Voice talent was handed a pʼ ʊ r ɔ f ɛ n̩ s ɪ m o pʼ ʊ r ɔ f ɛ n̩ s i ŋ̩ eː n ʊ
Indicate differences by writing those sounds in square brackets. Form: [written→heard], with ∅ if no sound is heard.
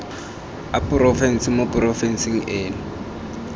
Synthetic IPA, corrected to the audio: a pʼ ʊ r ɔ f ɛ n̩ s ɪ m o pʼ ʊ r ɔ f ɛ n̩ s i ŋ̩ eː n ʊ